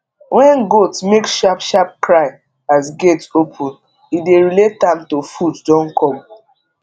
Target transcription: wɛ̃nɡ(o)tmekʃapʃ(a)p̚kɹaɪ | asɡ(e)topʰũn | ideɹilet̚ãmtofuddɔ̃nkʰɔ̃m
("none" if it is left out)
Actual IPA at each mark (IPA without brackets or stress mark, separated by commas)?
o, a, e